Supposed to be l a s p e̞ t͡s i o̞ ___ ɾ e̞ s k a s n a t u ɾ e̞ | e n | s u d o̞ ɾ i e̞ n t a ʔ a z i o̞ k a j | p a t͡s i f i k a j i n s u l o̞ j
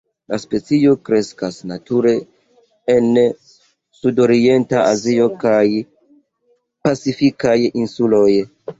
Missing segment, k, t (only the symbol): k